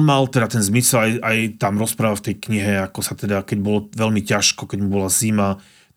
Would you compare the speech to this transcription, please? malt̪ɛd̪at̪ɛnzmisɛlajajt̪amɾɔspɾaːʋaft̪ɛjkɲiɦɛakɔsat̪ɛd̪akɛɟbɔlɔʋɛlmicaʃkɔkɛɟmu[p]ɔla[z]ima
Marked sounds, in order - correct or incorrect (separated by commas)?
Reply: incorrect, correct